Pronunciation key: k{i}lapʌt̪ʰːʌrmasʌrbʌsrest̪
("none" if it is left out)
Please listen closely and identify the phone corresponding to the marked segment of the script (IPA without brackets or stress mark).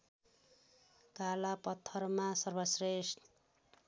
a